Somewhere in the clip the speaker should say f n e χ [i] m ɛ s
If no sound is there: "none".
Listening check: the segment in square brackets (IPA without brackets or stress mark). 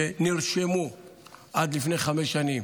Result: a